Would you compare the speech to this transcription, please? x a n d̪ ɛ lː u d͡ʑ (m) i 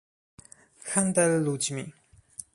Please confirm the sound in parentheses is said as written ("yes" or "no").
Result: yes